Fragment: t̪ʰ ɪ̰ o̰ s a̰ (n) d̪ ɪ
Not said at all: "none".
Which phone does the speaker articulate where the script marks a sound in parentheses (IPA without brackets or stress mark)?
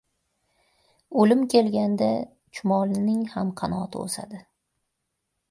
none